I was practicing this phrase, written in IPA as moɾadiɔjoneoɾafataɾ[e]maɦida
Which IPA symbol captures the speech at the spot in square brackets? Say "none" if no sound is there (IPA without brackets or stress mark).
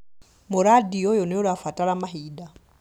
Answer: a